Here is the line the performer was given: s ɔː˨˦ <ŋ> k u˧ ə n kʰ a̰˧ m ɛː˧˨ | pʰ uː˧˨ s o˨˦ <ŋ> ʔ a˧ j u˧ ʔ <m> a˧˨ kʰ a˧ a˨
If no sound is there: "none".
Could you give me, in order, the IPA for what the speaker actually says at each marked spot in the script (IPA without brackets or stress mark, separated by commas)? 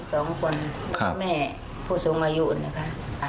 ŋ, ŋ, n